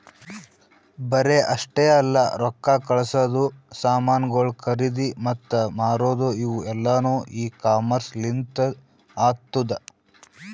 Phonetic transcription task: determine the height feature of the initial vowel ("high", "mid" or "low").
low